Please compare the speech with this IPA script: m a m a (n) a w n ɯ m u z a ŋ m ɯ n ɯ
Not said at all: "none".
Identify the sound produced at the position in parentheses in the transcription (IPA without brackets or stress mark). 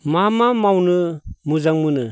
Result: m